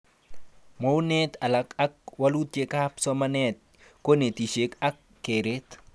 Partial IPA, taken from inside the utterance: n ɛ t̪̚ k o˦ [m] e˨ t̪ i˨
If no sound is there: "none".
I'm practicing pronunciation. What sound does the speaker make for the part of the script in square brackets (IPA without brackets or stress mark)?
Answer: n